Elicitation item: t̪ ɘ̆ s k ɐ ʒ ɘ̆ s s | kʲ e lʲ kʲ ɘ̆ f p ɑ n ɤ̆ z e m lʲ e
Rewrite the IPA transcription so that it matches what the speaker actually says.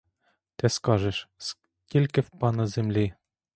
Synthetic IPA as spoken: t̪ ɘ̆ s k ɑ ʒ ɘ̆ ʃ s | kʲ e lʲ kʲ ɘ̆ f p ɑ n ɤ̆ z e m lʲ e